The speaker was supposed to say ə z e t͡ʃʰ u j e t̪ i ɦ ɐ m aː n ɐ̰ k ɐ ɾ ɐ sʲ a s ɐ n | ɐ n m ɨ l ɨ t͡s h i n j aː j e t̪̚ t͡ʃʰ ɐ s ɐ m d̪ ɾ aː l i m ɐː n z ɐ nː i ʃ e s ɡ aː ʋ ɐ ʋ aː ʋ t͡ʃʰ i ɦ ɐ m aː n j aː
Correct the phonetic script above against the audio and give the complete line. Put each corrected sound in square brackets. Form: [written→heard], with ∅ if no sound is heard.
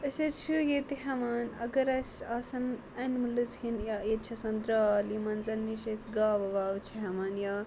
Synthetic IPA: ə [z→s] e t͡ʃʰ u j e t̪ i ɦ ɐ m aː n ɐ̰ [k→ɡ] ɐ ɾ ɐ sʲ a s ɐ n | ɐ n m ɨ l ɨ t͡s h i n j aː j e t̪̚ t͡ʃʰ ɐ s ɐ [m→n] d̪ ɾ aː l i m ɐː n z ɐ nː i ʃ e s ɡ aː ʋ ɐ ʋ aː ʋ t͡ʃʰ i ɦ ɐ m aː n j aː

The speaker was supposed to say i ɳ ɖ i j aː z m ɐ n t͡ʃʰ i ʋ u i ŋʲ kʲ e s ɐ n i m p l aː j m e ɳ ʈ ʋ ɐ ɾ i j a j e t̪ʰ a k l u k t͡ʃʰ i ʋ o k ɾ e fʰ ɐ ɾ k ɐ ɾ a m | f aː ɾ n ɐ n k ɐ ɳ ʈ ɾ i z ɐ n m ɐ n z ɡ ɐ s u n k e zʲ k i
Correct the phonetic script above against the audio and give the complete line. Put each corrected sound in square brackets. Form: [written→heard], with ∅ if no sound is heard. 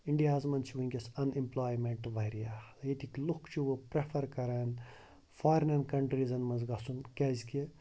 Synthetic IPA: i ɳ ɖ i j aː z m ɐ n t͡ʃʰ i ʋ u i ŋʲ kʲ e s ɐ n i m p l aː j m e ɳ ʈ ʋ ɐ ɾ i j a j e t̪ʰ [a→i] k l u k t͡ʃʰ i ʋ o [k→p] ɾ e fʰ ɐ ɾ k ɐ ɾ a [m→n] | f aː ɾ n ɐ n k ɐ ɳ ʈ ɾ i z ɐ n m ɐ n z ɡ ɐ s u n k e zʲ k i

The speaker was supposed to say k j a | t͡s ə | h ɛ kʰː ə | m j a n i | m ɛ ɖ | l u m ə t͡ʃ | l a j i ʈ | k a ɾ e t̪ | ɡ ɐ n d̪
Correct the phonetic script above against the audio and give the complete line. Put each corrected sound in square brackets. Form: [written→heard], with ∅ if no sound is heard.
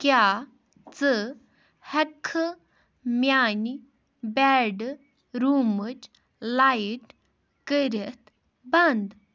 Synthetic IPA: k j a | t͡s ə | h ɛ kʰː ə | m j a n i | [m→b] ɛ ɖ | [l→ɾ] u m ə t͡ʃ | l a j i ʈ | k [a→ə] ɾ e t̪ | [ɡ→b] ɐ n d̪

